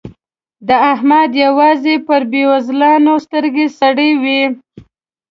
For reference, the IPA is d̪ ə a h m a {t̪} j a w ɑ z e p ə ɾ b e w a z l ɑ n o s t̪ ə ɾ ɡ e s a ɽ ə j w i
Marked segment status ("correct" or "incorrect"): incorrect